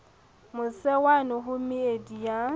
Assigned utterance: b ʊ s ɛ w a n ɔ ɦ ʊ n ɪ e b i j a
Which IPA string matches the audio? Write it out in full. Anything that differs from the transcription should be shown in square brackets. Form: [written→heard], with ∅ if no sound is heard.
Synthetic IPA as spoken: [b→m] ʊ s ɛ w a n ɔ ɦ ʊ [n→m] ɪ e [b→d] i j a